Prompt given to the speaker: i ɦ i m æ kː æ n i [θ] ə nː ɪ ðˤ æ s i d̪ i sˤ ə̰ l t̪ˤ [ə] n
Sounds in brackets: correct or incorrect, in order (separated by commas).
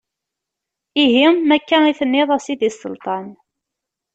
correct, incorrect